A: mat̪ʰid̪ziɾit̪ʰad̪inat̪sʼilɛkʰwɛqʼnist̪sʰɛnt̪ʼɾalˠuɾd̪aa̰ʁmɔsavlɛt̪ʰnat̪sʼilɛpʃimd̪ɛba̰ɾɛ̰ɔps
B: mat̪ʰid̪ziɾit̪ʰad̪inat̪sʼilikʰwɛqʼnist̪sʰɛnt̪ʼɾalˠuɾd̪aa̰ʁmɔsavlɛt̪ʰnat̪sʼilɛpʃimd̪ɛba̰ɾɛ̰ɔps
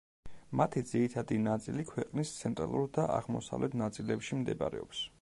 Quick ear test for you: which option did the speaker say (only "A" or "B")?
B